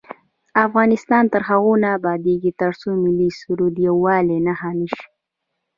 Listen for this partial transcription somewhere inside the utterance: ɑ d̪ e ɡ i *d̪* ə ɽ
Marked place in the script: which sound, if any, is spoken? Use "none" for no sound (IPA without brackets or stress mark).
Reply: t̪